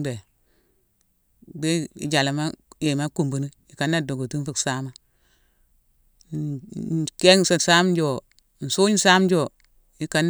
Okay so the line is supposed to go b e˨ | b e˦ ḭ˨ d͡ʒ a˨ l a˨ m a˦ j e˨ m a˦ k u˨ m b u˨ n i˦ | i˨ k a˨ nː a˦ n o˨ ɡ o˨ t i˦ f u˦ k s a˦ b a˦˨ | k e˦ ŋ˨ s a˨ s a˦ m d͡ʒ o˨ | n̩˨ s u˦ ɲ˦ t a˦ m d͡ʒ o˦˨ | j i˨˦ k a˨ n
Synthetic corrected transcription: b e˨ | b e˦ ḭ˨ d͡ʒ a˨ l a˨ m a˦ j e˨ m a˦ k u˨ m b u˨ n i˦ | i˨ k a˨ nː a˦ d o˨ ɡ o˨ t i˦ f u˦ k s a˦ m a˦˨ | k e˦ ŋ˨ s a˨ s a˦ m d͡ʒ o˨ | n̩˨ s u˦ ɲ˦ s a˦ m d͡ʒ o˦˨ | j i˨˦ k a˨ n